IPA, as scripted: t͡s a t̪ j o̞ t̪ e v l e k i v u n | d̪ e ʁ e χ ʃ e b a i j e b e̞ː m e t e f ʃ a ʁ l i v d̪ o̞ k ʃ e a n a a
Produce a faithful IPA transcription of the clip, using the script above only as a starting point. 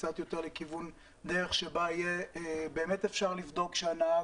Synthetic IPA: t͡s a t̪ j o̞ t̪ e ʁ l e k i v u n | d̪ e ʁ e χ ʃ e b a i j e b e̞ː m e t e f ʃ a ʁ l i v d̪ o̞ k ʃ e a n a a